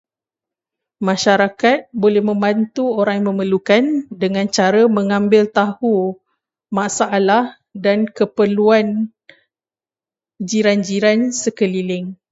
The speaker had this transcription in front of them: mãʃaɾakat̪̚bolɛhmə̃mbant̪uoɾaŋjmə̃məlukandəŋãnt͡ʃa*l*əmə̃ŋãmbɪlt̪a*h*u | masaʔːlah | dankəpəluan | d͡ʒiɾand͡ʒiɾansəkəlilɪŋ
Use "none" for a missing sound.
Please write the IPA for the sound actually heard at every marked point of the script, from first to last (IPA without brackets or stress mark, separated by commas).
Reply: ɾ, h